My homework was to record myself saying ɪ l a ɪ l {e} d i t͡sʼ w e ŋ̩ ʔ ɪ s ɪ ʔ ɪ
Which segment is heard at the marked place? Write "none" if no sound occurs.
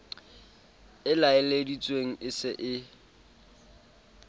e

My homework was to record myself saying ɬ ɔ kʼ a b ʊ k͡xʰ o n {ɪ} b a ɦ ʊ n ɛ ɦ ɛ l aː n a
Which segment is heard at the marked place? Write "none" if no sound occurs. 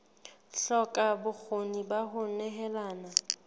i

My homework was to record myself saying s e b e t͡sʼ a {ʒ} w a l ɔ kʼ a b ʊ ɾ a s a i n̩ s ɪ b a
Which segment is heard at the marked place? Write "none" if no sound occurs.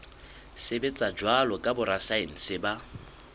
d͡ʒ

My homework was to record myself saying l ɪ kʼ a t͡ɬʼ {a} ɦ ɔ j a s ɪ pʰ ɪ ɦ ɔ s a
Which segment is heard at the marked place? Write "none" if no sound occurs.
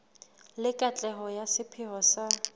ɛ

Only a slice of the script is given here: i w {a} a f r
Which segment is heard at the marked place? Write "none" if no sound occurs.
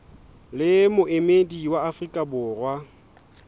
a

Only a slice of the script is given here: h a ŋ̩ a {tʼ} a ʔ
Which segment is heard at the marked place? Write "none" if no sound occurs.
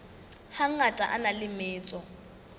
tʼ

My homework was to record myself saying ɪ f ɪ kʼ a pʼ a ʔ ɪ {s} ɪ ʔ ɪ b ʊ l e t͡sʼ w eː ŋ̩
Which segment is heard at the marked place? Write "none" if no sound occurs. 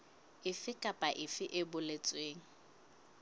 f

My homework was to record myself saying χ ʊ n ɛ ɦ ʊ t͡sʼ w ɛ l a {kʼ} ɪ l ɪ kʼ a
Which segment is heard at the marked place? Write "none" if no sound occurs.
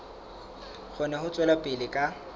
pʼ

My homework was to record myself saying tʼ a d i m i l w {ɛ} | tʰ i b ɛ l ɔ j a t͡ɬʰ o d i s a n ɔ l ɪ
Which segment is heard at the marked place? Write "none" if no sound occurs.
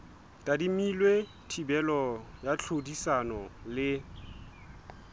e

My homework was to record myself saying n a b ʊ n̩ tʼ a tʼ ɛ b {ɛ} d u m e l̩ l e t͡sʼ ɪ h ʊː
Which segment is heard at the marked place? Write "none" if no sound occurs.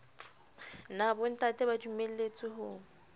a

